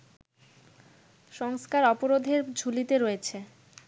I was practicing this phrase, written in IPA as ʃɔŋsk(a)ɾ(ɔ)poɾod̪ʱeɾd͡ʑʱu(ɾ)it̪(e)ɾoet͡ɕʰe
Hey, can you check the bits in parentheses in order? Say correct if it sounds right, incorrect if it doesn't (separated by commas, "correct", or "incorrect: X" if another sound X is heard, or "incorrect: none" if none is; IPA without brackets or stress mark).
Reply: correct, correct, incorrect: l, correct